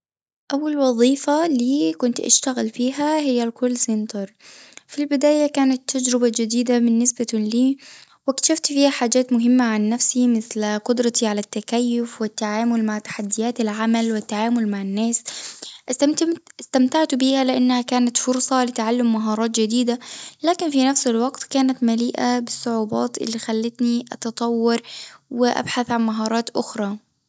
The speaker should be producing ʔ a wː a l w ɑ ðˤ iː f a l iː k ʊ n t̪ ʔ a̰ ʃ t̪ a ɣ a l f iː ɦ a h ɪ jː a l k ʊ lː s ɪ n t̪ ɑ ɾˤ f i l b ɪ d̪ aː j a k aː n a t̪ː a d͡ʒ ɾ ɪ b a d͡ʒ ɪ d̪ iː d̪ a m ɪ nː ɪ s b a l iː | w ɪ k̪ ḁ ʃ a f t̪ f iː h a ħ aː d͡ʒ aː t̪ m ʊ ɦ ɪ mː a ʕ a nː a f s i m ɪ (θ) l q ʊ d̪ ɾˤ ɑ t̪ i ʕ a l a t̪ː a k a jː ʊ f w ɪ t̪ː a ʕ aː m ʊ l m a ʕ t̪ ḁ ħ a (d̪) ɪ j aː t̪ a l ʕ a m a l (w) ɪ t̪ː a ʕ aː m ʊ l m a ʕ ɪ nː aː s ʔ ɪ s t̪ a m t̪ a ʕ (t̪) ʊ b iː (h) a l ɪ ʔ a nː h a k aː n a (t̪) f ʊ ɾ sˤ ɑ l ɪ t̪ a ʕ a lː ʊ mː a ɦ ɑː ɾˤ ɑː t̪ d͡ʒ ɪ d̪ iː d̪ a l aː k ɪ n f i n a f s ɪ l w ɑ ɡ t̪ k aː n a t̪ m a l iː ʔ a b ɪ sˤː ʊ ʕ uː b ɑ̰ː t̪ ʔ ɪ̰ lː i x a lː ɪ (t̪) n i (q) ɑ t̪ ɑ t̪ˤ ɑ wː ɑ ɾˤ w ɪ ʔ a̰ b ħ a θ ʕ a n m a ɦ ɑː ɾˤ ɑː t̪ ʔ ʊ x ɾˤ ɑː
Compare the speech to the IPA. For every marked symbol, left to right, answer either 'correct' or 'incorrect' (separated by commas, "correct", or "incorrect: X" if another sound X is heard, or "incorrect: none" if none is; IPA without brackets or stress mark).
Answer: correct, incorrect: d̪ː, correct, correct, correct, correct, correct, incorrect: ʔ